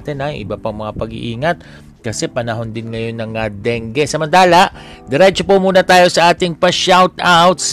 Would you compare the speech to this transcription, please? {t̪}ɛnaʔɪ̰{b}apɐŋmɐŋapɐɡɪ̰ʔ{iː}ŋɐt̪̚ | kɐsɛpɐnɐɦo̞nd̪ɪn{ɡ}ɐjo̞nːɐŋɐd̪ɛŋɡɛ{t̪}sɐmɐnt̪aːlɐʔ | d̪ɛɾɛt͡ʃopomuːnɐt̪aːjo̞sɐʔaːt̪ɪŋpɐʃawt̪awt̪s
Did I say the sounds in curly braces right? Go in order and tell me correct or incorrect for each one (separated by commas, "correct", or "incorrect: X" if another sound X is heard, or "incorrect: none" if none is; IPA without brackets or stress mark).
correct, correct, correct, incorrect: ŋ, incorrect: none